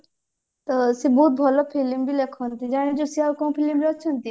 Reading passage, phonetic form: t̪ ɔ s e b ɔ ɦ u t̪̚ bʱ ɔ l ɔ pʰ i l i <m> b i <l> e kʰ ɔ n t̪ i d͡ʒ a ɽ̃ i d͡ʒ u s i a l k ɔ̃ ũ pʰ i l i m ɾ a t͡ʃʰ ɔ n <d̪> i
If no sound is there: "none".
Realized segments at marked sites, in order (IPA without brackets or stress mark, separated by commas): m, l, t̪